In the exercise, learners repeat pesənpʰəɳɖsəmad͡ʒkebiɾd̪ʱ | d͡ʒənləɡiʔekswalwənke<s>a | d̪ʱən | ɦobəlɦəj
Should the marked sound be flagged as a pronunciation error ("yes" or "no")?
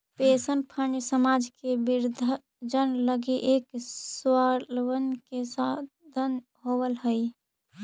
no